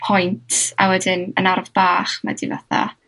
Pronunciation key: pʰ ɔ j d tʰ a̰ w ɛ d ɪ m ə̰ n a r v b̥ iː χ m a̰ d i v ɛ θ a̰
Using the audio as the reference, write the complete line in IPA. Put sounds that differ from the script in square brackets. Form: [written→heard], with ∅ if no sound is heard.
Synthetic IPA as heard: pʰ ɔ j [d→n] tʰ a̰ w ɛ d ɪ [m→n] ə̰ n a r v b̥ [iː→aː] χ m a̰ d i v [ɛ→a] θ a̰